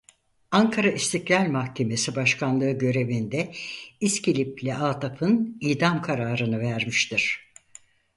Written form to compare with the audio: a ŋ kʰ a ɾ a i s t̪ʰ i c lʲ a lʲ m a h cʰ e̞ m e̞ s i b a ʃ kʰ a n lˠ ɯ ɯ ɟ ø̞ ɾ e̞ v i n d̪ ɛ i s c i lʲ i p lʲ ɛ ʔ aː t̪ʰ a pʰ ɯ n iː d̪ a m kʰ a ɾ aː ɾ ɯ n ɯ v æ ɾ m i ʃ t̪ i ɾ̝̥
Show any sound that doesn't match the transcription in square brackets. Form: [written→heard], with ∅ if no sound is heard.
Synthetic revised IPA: a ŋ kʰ a ɾ a i s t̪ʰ i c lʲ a lʲ m a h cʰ e̞ m e̞ s i b a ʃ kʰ a n lˠ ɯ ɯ ɟ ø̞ ɾ e̞ v i n d̪ ɛ i s c i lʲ i p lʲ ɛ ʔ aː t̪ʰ a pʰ ɯ n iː d̪ a m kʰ a ɾ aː ɾ ɯ n ɯ v æ ɾ m i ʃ t̪ i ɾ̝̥